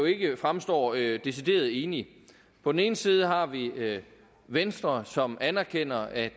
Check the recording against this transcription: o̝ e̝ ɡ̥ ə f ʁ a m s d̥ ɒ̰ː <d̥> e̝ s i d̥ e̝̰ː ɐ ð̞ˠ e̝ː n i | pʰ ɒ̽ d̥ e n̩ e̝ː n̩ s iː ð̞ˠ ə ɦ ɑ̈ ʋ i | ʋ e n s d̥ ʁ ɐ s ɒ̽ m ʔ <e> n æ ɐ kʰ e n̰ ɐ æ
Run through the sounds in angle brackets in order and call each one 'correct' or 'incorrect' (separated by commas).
correct, incorrect